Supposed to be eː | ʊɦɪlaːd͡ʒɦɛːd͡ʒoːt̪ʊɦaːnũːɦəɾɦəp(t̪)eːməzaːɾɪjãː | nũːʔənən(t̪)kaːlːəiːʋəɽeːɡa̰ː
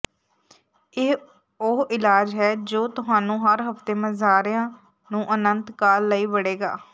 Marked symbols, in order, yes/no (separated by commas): yes, yes